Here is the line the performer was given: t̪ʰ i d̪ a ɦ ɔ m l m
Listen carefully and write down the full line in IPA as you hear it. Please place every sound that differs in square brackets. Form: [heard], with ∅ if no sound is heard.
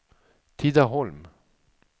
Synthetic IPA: t̪ʰ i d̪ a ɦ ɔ [∅] l m